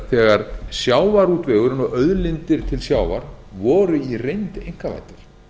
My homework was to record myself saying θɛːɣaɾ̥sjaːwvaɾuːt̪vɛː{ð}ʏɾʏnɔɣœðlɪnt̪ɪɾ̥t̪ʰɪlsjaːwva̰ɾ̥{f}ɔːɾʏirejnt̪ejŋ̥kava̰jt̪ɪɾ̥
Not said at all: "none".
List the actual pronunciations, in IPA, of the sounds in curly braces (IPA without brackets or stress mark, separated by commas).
ɣ, v